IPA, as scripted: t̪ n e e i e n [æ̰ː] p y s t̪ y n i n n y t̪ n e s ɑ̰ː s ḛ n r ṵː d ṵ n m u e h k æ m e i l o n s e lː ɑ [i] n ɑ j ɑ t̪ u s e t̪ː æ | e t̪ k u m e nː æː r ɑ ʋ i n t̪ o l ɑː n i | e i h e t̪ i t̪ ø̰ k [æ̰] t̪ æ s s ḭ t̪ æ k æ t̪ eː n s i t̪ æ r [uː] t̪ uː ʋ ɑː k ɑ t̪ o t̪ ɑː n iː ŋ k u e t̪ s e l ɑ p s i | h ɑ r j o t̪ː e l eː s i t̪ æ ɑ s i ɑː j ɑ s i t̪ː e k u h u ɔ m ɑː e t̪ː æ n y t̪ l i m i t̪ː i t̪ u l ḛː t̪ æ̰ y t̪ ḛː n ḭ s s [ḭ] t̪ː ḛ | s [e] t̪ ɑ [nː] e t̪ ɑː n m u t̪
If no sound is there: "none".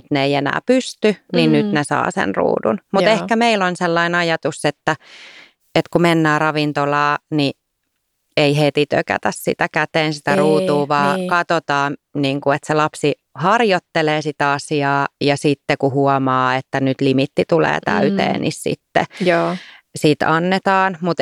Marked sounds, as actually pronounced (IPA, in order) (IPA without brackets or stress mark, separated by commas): æ̰ː, i, æ̰, uː, ḭ, i, nː